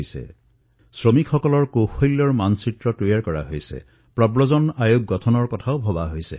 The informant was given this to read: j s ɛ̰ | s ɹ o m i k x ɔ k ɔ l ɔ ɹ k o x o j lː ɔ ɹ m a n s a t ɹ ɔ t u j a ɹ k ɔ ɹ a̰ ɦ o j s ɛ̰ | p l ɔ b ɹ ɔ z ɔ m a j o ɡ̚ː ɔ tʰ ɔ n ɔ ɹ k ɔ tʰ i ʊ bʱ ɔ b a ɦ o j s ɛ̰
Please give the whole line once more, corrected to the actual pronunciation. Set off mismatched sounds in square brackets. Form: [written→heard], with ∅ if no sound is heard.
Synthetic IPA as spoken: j s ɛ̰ | s ɹ o m i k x ɔ k ɔ l ɔ ɹ k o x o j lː ɔ ɹ m a n s [a→i] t ɹ ɔ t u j a ɹ k ɔ ɹ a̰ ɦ o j s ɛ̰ | p [l→ɹ] ɔ b ɹ ɔ z ɔ [m→n] a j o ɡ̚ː ɔ tʰ ɔ n ɔ ɹ k ɔ tʰ [i→a] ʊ bʱ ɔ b a ɦ o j s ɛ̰